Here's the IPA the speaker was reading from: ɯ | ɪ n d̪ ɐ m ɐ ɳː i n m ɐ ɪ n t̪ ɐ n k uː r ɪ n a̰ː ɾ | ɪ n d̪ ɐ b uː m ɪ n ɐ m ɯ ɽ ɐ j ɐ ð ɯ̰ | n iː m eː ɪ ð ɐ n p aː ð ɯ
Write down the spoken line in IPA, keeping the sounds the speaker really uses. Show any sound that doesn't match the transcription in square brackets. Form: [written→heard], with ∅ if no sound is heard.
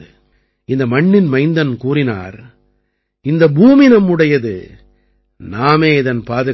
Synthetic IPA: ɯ | ɪ n d̪ ɐ m ɐ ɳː [i→ɪ] n m ɐ ɪ n [t̪→d̪] ɐ n k uː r ɪ n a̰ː ɾ | ɪ n d̪ ɐ b uː m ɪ n ɐ m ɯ ɽ ɐ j ɐ ð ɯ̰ | n [iː→aː] m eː ɪ ð ɐ n p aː ð ɯ